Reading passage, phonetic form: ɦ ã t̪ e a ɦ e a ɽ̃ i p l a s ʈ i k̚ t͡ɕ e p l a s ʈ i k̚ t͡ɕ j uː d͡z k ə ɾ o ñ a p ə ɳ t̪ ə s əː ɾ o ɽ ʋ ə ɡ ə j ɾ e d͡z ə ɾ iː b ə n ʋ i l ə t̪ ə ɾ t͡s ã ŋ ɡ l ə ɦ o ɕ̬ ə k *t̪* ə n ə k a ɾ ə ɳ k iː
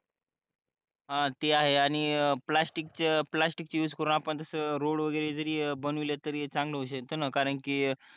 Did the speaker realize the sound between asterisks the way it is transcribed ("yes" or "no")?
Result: yes